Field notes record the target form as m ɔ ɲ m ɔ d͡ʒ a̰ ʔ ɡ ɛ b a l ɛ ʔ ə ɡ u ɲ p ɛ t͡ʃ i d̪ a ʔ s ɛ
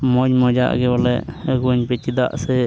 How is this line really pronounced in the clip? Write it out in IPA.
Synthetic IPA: m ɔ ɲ m ɔ d͡ʒ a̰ ʔ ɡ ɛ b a l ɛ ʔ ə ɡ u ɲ p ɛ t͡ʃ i d̪ a ʔ s ɛ